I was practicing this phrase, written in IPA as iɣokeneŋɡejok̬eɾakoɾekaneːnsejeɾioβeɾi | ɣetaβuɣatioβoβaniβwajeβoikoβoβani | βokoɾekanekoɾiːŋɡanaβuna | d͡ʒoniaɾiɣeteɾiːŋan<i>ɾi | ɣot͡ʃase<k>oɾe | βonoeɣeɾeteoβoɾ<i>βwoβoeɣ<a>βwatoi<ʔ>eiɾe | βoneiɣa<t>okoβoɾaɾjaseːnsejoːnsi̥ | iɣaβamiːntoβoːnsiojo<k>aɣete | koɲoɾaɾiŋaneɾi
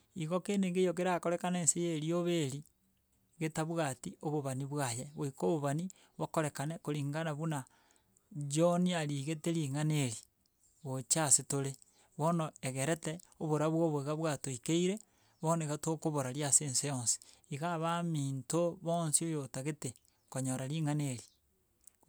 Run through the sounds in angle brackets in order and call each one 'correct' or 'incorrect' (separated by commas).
incorrect, incorrect, incorrect, correct, incorrect, correct, incorrect